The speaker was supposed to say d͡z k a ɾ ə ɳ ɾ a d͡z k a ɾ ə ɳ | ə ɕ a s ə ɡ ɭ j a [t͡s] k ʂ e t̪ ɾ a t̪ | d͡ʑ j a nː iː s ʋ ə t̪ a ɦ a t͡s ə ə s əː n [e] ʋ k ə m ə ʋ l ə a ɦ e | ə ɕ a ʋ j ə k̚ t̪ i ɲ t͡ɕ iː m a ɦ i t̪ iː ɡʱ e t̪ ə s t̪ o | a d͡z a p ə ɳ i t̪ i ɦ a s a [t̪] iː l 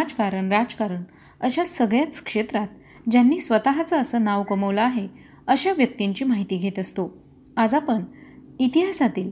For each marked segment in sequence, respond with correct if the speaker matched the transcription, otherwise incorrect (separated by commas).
correct, incorrect, correct